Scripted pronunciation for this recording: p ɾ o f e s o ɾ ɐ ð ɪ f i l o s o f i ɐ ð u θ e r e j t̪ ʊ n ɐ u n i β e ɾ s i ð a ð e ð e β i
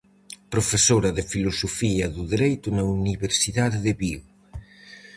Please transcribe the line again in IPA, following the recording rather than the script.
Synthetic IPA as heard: p ɾ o f e s o ɾ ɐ ð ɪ f i l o s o f i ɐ ð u ð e ɾ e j t̪ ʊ n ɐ u n i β e ɾ s i ð a ð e ð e β i